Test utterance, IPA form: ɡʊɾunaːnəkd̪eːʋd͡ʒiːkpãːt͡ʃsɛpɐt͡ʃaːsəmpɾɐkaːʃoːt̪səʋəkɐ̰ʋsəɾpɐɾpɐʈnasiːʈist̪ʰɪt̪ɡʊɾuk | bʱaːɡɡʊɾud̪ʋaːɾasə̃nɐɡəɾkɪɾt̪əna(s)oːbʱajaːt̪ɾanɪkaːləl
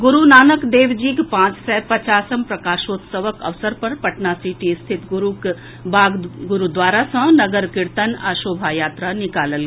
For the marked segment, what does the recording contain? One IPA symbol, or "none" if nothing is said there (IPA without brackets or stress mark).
ʃ